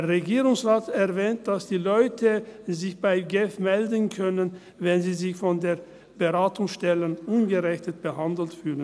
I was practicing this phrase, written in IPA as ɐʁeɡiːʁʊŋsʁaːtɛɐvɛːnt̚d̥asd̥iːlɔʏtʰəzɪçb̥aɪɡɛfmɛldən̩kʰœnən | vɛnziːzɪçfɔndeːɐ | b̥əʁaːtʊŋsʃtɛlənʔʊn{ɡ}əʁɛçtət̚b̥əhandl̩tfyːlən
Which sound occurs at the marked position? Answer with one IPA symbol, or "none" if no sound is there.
ɡ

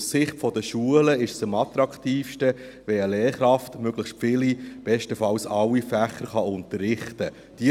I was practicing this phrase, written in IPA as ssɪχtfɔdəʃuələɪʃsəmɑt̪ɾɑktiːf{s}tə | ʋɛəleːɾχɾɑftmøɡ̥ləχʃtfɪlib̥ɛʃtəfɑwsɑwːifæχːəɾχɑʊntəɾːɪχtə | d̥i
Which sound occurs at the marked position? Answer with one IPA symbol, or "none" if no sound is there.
ʃ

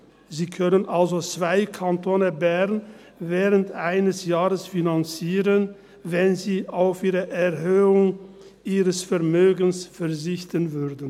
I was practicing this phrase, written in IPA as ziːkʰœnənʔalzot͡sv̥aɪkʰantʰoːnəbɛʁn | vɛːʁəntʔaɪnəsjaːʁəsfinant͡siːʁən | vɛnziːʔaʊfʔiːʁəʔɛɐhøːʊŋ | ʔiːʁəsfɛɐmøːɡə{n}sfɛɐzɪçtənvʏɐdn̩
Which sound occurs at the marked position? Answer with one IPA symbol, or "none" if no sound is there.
n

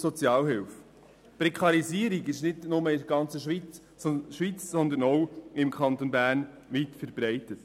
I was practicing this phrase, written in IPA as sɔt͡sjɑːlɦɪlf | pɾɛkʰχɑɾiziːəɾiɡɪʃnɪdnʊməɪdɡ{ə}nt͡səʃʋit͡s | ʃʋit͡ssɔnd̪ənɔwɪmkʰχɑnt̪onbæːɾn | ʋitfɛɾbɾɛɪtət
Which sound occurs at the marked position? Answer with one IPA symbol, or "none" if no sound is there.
ɑ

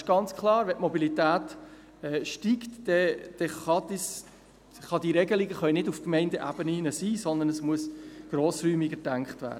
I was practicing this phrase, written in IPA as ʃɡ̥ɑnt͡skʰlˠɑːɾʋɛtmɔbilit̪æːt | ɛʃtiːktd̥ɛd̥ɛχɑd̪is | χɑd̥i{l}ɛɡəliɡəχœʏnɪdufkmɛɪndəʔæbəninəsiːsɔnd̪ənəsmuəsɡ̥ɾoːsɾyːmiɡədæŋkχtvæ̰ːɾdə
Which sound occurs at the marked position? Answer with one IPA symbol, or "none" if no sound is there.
ɾ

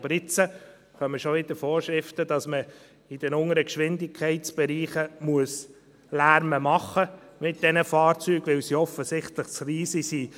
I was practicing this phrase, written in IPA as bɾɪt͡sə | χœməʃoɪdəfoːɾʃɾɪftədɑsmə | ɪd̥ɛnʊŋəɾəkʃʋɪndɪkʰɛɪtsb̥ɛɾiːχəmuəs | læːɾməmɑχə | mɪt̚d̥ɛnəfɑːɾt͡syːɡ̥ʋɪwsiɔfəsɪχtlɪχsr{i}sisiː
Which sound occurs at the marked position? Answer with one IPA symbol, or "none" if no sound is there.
iː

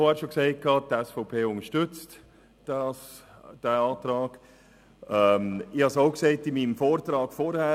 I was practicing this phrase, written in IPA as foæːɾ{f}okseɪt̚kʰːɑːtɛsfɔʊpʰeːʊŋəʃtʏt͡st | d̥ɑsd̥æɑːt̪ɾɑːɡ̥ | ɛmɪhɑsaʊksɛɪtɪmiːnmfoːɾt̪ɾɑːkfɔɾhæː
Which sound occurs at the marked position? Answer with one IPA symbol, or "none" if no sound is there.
ʃ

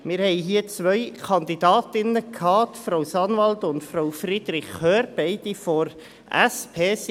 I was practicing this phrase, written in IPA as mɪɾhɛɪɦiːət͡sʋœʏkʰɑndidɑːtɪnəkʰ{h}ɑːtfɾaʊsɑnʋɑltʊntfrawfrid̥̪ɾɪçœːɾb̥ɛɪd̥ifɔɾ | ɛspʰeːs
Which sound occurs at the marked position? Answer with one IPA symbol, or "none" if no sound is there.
h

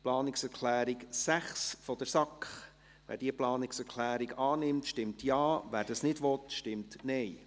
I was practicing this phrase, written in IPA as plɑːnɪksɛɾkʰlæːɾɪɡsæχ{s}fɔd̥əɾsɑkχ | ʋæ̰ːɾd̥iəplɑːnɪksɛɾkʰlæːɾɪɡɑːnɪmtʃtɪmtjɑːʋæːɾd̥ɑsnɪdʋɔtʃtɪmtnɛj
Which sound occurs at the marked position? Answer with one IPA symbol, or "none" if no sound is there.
s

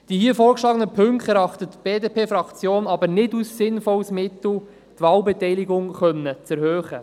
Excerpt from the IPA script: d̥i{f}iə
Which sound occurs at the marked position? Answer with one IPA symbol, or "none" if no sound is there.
h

